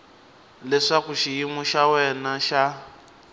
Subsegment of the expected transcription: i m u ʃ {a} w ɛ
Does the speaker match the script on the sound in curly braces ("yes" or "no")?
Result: yes